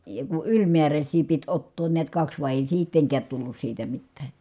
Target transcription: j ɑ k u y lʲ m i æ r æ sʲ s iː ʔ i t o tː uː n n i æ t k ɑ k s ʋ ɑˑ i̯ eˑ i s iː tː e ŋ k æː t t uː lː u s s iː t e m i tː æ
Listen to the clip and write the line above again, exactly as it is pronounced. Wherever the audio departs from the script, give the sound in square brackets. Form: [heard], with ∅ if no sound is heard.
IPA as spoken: j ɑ k u y lʲ m i æ r æ sʲ s iː [p] i t o tː [oː] n n i æ t k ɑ k s ʋ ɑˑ i̯ eˑ i s iː tː e ŋ k æː t t [u] lː u s s iː t [æ] m i tː [æː]